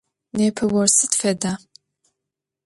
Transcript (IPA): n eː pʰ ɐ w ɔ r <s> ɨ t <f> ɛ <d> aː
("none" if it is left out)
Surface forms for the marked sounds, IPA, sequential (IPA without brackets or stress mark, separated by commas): s, f, d